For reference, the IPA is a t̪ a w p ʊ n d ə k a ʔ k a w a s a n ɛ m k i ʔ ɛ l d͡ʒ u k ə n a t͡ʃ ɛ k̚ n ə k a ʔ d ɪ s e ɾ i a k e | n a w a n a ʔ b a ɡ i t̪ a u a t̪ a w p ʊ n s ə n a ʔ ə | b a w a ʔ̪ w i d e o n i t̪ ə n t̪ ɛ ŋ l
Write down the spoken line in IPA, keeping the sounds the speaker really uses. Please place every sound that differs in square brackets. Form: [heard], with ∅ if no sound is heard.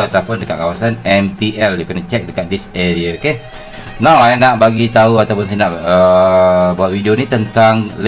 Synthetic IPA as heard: a t̪ a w p ʊ n d ə k a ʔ k a w a s a n ɛ m [p] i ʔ ɛ l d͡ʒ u k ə n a t͡ʃ ɛ k̚ [d] ə k a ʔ d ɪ s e ɾ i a k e | n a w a n a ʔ b a ɡ i t̪ a u a t̪ a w p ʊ n s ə n a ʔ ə | b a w a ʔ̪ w i d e o n i t̪ ə n t̪ [a] ŋ l